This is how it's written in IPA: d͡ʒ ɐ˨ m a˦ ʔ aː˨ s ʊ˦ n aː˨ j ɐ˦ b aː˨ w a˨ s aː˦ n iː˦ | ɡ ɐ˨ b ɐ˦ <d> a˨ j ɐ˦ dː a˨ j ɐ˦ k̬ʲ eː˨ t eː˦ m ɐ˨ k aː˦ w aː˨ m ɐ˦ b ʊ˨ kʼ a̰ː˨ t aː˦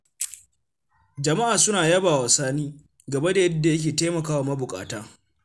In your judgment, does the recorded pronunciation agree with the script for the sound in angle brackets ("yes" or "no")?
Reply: yes